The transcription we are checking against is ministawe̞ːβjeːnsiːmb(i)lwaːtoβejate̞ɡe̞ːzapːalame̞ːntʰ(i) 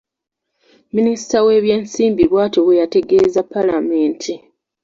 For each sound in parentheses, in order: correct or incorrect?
correct, correct

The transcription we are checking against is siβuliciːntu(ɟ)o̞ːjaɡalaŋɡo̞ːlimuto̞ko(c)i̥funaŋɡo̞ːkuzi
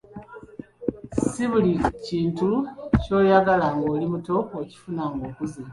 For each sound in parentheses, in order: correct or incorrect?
incorrect: c, correct

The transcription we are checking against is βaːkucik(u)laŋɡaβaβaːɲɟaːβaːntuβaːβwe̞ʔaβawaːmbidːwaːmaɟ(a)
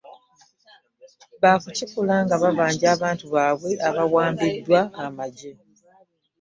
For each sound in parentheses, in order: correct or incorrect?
correct, incorrect: e

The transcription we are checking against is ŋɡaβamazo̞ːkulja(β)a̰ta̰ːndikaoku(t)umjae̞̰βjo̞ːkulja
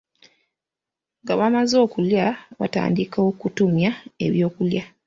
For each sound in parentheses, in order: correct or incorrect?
correct, correct

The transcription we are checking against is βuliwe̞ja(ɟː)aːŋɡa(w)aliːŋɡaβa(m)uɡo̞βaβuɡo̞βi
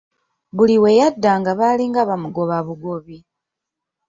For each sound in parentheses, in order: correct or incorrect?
incorrect: dː, incorrect: β, correct

